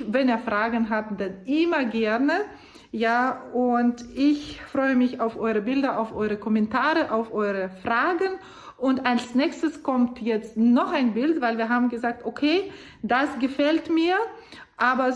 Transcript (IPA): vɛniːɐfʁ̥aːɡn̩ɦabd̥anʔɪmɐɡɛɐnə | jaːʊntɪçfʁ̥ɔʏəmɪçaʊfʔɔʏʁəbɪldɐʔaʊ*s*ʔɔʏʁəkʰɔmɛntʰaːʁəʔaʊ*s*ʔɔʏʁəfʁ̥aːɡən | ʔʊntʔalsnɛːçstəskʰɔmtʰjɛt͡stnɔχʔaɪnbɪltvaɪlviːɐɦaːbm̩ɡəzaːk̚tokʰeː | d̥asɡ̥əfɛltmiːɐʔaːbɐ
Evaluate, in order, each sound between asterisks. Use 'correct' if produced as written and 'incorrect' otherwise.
incorrect: f, incorrect: f

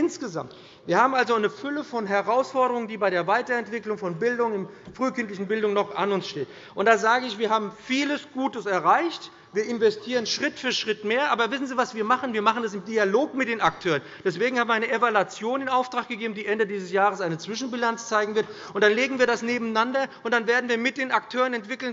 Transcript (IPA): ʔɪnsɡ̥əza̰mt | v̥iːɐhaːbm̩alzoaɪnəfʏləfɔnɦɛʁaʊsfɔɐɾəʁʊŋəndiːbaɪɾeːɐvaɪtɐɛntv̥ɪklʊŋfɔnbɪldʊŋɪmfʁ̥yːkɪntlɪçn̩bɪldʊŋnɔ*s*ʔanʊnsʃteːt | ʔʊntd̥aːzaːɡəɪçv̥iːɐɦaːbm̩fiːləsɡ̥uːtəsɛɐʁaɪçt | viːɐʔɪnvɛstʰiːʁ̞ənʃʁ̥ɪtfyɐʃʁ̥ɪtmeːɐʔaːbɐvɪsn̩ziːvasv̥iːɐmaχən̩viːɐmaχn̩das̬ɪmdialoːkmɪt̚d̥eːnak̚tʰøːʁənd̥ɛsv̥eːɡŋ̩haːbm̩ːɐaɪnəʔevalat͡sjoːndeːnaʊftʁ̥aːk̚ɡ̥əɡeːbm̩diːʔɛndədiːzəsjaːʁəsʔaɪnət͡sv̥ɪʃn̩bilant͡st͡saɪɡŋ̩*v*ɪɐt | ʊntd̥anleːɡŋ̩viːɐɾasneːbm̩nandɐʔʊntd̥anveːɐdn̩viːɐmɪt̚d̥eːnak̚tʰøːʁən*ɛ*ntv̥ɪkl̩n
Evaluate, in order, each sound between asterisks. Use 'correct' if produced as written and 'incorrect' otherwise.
incorrect: χ, correct, correct

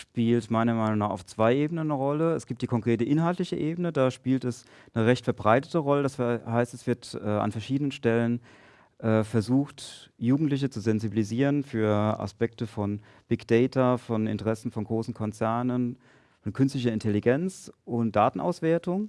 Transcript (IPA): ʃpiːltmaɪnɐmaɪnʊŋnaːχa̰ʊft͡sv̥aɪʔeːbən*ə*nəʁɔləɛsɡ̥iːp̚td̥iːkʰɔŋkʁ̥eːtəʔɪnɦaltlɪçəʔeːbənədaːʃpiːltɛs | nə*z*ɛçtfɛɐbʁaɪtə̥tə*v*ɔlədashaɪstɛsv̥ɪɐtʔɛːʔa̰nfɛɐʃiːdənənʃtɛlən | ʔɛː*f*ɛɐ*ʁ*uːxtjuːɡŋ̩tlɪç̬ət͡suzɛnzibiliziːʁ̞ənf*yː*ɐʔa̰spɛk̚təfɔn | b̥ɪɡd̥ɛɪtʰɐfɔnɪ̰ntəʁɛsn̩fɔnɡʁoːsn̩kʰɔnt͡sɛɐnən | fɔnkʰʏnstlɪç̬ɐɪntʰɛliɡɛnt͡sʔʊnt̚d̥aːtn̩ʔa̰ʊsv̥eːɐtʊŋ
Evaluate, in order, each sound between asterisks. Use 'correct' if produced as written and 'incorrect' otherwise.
correct, incorrect: ʁ, incorrect: ʁ, correct, incorrect: z, correct

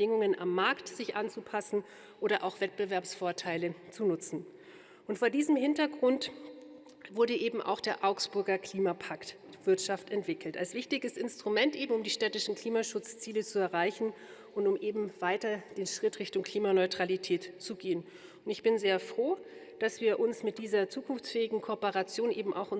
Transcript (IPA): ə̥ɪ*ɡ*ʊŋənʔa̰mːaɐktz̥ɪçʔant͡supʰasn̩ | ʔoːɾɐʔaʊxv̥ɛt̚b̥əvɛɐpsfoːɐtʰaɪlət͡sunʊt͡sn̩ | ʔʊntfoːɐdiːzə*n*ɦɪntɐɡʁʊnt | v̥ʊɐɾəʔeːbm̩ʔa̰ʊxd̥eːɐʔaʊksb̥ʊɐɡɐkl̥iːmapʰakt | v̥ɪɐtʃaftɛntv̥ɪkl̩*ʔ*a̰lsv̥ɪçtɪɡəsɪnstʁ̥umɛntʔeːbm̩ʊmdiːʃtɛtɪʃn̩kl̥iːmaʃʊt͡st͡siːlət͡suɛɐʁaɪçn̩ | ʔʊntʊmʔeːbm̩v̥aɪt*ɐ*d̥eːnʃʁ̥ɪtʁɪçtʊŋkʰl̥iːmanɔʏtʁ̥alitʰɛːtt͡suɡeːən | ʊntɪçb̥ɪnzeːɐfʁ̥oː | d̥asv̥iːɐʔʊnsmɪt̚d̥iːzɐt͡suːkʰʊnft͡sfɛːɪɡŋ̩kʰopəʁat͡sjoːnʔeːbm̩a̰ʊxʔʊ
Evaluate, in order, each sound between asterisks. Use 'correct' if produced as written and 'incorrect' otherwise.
incorrect: ŋ, incorrect: m, incorrect: t, correct

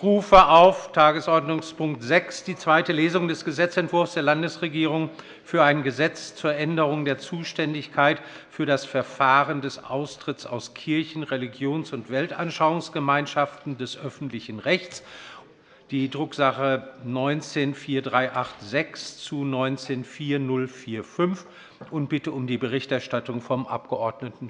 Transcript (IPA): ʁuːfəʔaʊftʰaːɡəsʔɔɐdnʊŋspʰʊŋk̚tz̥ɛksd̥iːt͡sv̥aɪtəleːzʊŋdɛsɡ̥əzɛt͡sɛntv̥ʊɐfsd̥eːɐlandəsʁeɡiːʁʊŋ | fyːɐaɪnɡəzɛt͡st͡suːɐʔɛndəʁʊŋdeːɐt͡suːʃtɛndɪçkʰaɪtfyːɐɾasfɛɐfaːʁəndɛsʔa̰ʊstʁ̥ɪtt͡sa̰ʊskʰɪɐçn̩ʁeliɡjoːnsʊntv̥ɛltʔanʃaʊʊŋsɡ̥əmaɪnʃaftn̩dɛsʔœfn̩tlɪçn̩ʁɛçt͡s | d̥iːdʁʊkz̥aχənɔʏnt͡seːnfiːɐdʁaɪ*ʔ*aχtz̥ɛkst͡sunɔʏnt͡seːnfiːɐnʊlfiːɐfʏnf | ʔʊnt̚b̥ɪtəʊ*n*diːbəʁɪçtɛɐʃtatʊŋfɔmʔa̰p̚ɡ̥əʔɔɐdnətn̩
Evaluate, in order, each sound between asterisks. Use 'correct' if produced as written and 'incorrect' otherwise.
correct, incorrect: m

